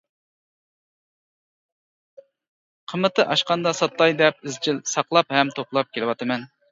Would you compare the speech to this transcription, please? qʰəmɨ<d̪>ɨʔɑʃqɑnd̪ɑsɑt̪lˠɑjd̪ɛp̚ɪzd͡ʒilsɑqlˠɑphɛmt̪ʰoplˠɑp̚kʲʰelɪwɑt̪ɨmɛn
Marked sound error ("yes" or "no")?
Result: yes